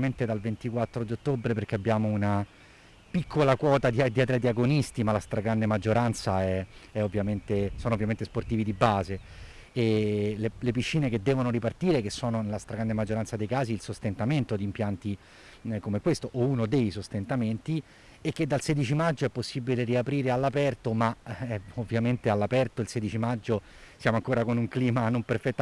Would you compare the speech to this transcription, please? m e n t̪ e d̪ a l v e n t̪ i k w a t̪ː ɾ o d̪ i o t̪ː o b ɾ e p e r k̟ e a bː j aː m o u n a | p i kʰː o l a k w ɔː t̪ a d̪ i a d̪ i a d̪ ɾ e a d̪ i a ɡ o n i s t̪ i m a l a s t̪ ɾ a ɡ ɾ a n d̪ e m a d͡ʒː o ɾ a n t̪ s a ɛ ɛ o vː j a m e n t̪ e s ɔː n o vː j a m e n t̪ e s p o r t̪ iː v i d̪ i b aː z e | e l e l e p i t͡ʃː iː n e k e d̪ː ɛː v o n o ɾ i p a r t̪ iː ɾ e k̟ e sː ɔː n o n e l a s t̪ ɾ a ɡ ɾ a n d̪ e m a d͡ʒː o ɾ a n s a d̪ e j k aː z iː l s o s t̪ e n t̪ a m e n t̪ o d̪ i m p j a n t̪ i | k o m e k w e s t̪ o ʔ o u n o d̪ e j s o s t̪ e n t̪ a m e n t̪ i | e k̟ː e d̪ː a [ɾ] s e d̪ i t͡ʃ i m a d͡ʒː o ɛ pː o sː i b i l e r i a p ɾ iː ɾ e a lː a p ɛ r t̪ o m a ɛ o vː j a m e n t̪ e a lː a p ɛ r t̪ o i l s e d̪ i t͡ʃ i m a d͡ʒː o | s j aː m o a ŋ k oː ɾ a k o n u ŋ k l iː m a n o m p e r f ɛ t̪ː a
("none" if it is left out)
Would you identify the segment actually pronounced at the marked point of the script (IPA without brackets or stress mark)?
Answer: l